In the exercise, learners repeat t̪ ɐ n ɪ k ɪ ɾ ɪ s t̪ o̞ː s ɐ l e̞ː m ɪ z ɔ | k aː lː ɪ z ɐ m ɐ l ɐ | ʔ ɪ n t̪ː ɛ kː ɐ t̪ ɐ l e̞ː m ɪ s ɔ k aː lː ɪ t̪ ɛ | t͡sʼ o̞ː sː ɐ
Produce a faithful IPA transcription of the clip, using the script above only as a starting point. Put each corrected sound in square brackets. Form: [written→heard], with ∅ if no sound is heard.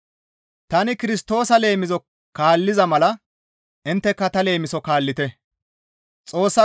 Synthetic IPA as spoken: t̪ ɐ n ɪ k ɪ ɾ ɪ s t̪ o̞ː s ɐ l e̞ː m ɪ z ɔ | k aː lː ɪ z ɐ m ɐ l ɐ | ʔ ɪ n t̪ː ɛ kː ɐ t̪ ɐ l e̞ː m ɪ s ɔ k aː lː ɪ t̪ ɛ | t͡sʼ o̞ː sː ɐ

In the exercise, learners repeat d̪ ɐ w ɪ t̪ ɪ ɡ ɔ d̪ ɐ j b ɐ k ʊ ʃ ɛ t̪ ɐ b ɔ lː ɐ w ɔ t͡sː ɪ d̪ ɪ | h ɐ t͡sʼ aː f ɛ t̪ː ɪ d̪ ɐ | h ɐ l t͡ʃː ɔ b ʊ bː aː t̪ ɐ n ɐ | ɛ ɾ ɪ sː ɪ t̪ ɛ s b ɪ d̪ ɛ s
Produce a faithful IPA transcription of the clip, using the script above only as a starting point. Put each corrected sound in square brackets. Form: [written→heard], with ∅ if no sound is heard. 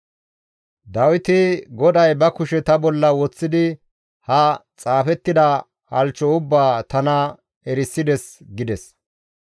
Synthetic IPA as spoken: d̪ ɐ w ɪ t̪ ɪ ɡ ɔ d̪ ɐ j b ɐ k ʊ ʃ ɛ t̪ ɐ b ɔ lː ɐ w ɔ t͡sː ɪ d̪ ɪ | h ɐ t͡sʼ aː f ɛ t̪ː ɪ d̪ ɐ | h ɐ l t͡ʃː ɔ [b→∅] ʊ bː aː t̪ ɐ n ɐ | ɛ ɾ ɪ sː ɪ [t̪→d̪] ɛ s [b→ɡ] ɪ d̪ ɛ s

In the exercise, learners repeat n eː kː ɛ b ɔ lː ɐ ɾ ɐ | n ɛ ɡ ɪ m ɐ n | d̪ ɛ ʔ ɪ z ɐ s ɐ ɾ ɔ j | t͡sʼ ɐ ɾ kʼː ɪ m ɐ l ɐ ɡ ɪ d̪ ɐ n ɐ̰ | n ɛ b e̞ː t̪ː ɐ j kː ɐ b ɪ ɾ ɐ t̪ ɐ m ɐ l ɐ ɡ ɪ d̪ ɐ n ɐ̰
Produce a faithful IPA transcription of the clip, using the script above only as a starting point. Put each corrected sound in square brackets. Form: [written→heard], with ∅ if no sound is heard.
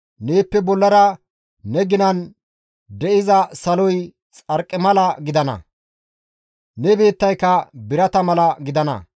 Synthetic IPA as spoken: n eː [kː→pː] ɛ b ɔ lː ɐ ɾ ɐ | n ɛ ɡ ɪ [m→n] ɐ n | d̪ ɛ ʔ ɪ z ɐ s ɐ [ɾ→l] ɔ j | t͡sʼ ɐ ɾ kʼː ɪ m ɐ l ɐ ɡ ɪ d̪ ɐ n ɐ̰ | n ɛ b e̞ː t̪ː ɐ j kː ɐ b ɪ ɾ ɐ t̪ ɐ m ɐ l ɐ ɡ ɪ d̪ ɐ n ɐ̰

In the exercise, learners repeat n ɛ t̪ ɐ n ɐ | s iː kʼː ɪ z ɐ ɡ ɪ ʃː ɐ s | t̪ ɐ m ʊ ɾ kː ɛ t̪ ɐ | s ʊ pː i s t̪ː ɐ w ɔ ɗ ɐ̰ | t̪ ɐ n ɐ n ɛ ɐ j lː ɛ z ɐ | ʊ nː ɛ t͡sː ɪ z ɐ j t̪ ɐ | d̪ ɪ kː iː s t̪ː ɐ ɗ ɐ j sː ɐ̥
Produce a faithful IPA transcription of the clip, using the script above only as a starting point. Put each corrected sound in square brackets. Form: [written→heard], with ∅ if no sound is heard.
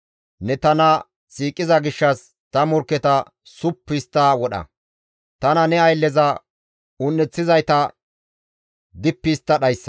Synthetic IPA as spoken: n ɛ t̪ ɐ n ɐ | s iː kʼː ɪ z ɐ ɡ ɪ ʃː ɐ s | t̪ ɐ m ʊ ɾ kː ɛ t̪ ɐ | s ʊ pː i s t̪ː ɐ w ɔ ɗ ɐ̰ | t̪ ɐ n ɐ n ɛ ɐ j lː ɛ z ɐ | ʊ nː ɛ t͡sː ɪ z ɐ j t̪ ɐ | d̪ ɪ [kː→pː] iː s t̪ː ɐ ɗ ɐ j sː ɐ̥

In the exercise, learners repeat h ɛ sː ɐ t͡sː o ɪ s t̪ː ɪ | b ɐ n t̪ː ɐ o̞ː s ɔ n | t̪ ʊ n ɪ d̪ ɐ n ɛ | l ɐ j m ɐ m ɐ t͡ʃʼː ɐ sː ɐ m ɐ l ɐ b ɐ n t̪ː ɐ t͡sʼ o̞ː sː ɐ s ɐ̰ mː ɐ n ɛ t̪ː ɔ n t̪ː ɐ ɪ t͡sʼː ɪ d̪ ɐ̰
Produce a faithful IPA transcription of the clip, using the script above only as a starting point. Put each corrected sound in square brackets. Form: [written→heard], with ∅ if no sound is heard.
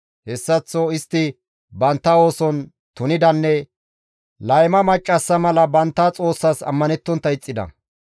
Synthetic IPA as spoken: h ɛ sː ɐ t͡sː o ɪ s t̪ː ɪ | b ɐ n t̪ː ɐ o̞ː s ɔ n | t̪ ʊ n ɪ d̪ ɐ [n→nː] ɛ | l ɐ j m ɐ m ɐ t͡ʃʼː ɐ sː ɐ m ɐ l ɐ b ɐ n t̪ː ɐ t͡sʼ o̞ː sː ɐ s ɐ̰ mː ɐ n ɛ t̪ː ɔ n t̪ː ɐ ɪ t͡sʼː ɪ d̪ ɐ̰

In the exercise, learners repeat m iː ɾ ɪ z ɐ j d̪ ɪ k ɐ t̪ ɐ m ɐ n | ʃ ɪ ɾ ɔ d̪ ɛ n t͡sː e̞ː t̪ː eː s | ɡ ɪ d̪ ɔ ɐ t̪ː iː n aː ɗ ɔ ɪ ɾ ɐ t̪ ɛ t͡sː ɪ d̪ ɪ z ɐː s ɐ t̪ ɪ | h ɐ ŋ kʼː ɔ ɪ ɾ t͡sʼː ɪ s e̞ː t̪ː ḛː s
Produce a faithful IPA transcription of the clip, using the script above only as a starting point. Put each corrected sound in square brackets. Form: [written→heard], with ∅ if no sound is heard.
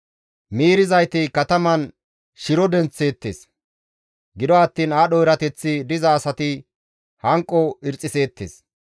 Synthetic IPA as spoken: m iː ɾ ɪ z ɐ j [d̪→t̪] ɪ k ɐ t̪ ɐ m ɐ n | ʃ ɪ ɾ ɔ d̪ ɛ n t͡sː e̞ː t̪ː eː s | ɡ ɪ d̪ ɔ ɐ t̪ː iː n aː ɗ ɔ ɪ ɾ ɐ t̪ ɛ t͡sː ɪ d̪ ɪ z ɐː s ɐ t̪ ɪ | h ɐ ŋ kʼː ɔ ɪ ɾ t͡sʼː ɪ s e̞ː t̪ː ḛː s

